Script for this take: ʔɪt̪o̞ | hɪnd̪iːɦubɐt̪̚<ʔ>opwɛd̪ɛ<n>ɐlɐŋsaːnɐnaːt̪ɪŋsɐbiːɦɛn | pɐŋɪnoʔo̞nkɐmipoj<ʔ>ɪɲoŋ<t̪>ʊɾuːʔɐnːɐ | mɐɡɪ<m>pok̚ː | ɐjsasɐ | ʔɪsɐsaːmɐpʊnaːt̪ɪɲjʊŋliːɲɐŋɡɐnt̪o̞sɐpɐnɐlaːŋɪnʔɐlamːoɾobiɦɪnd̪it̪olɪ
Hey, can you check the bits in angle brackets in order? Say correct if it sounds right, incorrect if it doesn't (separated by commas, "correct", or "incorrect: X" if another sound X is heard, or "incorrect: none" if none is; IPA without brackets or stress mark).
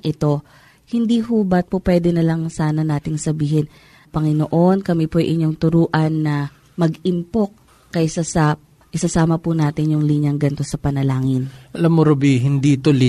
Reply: incorrect: p, correct, correct, correct, correct